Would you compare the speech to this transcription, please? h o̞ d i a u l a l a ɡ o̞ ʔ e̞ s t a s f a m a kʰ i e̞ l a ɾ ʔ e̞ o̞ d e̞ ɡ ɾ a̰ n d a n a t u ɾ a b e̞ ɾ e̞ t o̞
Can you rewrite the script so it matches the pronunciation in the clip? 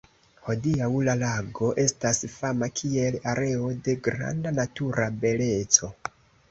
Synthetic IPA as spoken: h o̞ d i a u l a l a ɡ o̞ ʔ e̞ s t a s f a m a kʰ i e̞ l a ɾ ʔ e̞ o̞ d e̞ ɡ ɾ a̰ n d a n a t u ɾ a b e̞ l e̞ t͡s o̞